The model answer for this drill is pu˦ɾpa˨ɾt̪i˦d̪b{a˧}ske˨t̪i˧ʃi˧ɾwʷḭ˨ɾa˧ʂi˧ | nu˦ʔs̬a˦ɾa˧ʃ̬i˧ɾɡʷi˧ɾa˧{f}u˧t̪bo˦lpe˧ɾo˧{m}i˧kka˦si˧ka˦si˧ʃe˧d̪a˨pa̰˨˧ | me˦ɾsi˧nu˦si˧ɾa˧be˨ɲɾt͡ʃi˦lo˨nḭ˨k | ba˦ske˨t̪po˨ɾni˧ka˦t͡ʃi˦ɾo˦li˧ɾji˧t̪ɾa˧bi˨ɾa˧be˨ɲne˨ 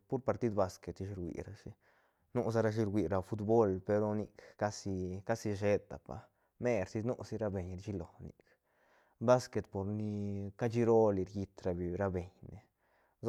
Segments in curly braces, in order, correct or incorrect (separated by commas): correct, correct, incorrect